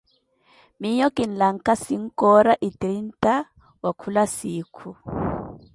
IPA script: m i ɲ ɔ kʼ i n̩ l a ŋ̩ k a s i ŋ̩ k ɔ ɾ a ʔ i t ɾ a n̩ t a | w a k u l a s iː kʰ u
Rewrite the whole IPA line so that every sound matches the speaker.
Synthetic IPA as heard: m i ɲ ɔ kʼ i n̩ l a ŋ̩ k a s i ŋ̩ k ɔ ɾ a ʔ i t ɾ i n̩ t a | w a kʰ u l a s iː kʰ u